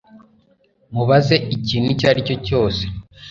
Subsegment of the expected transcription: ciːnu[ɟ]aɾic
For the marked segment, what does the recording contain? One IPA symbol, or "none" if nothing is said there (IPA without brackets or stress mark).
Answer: c